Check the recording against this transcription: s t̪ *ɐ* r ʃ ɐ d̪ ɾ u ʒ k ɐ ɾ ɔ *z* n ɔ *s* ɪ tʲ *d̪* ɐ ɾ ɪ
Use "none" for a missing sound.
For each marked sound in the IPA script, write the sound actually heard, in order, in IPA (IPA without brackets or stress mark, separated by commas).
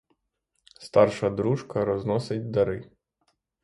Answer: ɑ, z, s, d̪